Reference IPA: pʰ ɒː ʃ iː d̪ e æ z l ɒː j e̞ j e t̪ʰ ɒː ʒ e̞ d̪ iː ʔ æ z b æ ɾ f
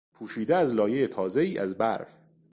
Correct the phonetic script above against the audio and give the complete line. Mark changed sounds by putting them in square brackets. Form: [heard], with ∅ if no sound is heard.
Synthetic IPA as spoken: pʰ [uː] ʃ iː d̪ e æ z l ɒː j e̞ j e t̪ʰ ɒː [z] e̞ [∅] iː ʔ æ z b æ ɾ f